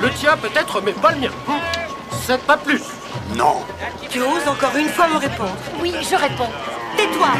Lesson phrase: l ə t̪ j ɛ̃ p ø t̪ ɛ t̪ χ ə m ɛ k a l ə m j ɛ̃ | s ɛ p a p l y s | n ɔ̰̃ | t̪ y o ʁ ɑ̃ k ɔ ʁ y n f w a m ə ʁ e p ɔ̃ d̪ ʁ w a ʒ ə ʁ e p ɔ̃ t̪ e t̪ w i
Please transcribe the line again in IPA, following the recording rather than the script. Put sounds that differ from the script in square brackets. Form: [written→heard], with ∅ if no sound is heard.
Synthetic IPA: l ə t̪ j ɛ̃ p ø t̪ ɛ t̪ χ ə m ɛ [k→p] a l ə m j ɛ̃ | s ɛ p a p l y s | n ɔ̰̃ | t̪ y o [ʁ→z] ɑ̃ k ɔ ʁ y n f w a m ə ʁ e p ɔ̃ d̪ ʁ w [a→i] ʒ ə ʁ e p ɔ̃ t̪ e t̪ w [i→a]